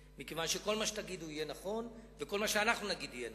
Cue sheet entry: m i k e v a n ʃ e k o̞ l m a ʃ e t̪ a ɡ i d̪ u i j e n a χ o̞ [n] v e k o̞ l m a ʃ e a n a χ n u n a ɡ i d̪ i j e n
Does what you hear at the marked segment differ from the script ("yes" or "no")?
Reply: no